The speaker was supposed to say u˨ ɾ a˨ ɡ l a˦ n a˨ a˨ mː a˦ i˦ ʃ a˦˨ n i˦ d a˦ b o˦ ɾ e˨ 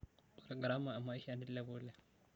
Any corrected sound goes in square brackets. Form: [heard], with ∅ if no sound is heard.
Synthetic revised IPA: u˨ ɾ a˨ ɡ [ɾ] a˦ [m] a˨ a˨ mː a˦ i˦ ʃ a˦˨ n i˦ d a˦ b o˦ [l] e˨